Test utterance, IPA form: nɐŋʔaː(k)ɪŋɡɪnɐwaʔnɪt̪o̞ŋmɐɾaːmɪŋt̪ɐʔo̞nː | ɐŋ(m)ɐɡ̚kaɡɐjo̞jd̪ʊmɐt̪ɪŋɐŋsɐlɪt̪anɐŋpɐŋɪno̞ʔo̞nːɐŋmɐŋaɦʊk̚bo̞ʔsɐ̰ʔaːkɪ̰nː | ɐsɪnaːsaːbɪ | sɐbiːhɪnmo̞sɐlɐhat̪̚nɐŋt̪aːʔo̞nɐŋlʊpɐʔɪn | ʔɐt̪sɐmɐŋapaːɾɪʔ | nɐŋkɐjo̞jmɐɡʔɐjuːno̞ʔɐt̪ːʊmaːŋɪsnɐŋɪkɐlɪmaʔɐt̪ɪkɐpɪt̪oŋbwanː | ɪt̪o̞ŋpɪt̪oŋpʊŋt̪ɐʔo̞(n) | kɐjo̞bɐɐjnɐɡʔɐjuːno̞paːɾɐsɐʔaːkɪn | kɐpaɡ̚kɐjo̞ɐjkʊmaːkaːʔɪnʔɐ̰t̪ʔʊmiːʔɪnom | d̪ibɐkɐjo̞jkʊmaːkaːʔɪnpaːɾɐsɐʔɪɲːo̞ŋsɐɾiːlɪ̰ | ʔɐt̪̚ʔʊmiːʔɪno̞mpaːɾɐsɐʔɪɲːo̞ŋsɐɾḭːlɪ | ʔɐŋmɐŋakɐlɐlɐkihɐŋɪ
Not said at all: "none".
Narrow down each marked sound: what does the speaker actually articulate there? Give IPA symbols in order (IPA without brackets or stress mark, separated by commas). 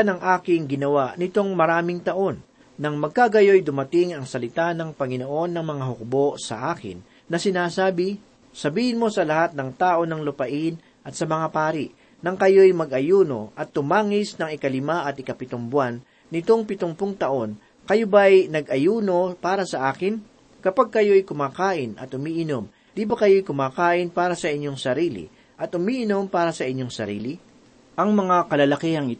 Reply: k, m, n